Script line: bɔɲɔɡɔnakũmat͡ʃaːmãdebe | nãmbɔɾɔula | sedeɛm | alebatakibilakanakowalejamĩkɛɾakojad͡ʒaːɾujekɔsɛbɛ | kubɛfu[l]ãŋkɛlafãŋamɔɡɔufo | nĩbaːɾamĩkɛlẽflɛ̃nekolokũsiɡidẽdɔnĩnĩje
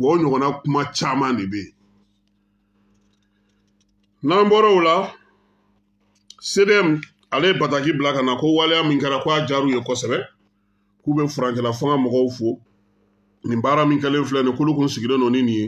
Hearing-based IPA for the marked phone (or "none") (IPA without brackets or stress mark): ɾ